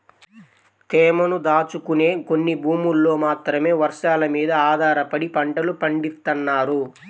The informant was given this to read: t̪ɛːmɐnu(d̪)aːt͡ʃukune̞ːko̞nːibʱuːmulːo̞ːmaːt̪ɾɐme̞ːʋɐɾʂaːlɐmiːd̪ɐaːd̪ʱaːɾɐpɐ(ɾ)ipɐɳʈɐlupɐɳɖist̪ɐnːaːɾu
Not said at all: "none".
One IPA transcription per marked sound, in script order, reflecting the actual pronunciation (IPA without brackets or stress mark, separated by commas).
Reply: d̪, ɽ